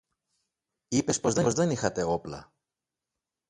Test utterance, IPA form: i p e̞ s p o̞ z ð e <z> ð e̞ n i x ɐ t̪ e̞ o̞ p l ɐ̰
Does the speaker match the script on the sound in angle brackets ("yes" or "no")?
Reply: yes